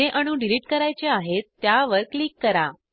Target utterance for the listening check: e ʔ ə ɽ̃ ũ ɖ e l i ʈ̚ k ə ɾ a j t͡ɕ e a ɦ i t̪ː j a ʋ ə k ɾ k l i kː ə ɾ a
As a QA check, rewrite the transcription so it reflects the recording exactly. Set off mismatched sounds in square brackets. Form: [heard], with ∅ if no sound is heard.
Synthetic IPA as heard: e ʔ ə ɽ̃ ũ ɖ [i] l i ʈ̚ k ə ɾ a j t͡ɕ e a ɦ [e] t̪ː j a ʋ ə [∅] ɾ k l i kː ə ɾ a